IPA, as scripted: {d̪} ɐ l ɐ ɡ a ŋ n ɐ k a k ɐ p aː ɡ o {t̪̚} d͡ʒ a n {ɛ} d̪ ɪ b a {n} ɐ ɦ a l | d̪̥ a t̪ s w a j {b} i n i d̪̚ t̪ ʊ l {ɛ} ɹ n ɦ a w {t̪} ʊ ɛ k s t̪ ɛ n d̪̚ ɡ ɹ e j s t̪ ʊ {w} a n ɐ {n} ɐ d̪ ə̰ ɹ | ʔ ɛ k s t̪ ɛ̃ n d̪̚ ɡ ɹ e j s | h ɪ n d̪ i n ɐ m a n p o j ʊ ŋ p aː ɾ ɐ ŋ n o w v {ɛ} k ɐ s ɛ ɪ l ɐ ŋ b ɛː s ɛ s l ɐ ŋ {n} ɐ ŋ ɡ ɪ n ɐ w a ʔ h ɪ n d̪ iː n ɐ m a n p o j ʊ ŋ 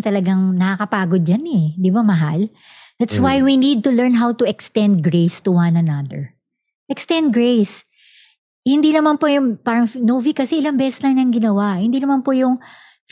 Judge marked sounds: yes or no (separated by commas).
no, no, yes, no, no, yes, yes, yes, yes, no, no